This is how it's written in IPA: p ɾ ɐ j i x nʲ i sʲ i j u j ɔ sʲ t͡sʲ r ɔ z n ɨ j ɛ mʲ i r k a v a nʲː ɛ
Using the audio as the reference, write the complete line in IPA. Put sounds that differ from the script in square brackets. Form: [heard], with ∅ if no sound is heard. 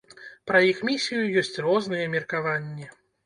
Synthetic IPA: p ɾ ɐ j i x [mʲ] i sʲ i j u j ɔ sʲ t͡sʲ r ɔ z n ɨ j ɛ mʲ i r k a v a nʲː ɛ